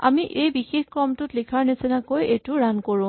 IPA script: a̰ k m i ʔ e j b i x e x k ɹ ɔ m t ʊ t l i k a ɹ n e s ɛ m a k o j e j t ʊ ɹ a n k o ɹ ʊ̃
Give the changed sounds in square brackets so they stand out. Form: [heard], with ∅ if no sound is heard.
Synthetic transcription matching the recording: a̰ [∅] m i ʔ e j b i x e x k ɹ ɔ m t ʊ t l i [kʰ] a ɹ n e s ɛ [n] a k o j e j t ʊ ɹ a n k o ɹ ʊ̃